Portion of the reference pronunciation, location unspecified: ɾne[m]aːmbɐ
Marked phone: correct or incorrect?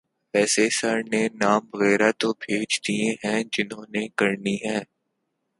incorrect